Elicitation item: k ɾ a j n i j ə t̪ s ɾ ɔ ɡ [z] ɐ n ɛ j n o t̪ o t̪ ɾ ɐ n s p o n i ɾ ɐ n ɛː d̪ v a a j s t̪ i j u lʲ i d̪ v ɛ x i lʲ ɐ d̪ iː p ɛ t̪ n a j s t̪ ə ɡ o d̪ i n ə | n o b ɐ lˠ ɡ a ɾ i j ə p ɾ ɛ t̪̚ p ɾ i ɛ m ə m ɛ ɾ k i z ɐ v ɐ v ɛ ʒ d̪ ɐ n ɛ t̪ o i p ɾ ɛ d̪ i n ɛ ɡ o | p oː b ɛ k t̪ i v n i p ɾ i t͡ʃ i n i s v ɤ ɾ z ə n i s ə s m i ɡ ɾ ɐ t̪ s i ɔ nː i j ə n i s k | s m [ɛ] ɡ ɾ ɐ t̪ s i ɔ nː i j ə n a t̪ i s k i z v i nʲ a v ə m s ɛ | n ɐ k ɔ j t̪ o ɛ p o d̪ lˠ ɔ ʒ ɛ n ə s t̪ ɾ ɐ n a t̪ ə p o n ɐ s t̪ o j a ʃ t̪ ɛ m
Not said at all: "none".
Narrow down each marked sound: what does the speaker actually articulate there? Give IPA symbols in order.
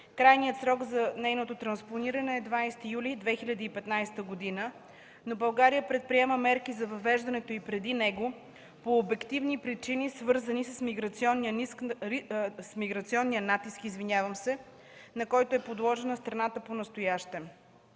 z, i

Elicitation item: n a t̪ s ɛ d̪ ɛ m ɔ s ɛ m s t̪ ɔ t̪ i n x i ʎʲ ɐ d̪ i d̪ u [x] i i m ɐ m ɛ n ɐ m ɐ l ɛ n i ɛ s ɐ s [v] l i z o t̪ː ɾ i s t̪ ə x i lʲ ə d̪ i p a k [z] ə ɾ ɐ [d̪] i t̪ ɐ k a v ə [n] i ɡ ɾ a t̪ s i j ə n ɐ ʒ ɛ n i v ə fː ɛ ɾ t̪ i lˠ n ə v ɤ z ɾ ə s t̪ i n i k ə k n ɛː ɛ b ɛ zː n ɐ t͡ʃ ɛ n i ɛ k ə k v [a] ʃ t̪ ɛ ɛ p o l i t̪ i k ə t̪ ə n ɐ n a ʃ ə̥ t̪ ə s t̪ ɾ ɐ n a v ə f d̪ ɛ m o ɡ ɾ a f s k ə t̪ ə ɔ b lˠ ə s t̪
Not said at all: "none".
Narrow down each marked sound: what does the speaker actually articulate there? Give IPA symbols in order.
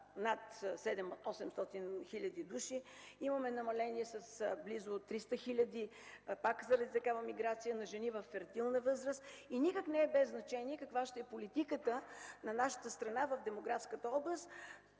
ʃ, b, z, d̪, m, a

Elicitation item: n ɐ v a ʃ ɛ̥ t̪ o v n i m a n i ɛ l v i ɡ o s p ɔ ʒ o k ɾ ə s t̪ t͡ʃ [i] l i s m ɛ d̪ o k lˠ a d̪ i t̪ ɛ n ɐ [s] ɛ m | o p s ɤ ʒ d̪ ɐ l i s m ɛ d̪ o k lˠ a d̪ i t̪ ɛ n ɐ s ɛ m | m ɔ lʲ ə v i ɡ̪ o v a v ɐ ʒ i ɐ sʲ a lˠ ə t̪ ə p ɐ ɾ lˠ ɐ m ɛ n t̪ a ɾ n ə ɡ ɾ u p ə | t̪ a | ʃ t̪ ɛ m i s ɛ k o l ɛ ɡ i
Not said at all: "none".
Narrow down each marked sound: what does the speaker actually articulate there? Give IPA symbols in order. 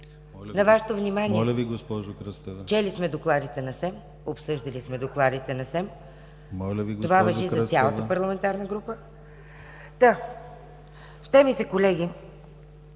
ɛ, s

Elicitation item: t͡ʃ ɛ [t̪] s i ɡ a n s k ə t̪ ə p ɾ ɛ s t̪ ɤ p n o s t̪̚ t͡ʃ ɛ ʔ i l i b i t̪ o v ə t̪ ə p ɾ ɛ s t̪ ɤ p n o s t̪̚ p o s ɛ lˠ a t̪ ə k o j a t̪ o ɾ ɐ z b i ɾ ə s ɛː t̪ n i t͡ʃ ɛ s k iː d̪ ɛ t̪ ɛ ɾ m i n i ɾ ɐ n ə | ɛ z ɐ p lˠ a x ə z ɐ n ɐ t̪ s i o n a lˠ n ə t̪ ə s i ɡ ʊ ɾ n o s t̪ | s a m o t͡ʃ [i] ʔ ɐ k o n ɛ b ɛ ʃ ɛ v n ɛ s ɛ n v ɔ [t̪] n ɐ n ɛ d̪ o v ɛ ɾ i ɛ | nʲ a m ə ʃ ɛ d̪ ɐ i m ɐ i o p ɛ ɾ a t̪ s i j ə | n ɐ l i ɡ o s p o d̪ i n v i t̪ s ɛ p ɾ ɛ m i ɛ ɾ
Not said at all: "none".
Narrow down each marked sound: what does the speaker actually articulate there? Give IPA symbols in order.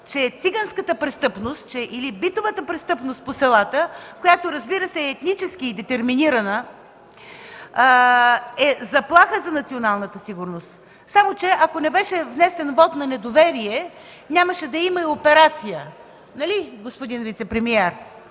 t̪, ɛ, t̪

